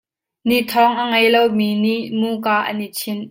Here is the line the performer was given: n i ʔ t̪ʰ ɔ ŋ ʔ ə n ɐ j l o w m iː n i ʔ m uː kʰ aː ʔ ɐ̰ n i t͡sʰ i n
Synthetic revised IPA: n i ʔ t̪ʰ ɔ ŋ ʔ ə ŋ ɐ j l o w m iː n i ʔ m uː k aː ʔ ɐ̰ n i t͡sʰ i n